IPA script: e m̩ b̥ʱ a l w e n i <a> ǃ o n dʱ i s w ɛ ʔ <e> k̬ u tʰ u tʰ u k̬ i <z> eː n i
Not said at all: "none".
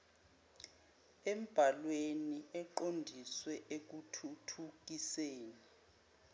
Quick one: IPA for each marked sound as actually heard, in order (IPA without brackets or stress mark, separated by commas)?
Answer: ɛ, e, s